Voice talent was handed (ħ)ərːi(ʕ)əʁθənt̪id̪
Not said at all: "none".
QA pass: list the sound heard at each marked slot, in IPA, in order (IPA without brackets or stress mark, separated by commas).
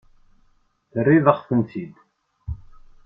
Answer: θ, ð